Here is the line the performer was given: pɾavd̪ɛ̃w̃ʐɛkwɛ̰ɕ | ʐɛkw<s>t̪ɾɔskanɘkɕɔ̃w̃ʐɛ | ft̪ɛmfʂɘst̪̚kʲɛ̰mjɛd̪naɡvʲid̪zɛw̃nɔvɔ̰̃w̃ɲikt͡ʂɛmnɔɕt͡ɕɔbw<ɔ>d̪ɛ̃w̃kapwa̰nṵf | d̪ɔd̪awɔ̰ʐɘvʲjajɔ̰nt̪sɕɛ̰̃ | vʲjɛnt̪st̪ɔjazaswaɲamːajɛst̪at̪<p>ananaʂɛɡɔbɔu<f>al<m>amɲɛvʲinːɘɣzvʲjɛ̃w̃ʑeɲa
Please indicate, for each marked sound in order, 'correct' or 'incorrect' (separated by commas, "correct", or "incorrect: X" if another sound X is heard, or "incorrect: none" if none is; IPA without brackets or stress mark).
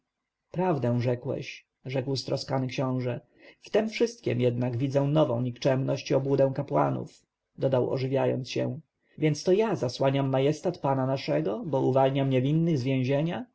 correct, incorrect: u, correct, incorrect: v, incorrect: ɲ